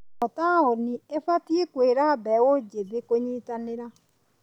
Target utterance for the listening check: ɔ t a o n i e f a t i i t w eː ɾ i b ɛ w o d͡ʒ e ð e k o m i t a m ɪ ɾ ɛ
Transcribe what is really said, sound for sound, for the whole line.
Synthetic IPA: ɔ t a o n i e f a t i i k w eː ɾ a b ɛ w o d͡ʒ e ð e k o ɲ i t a n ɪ ɾ a